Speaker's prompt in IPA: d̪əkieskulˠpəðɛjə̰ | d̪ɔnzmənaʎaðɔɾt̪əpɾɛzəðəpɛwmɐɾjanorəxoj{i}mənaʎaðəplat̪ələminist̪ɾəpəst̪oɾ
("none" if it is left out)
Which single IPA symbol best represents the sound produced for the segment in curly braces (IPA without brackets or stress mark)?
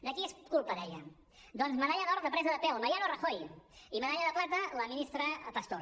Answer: i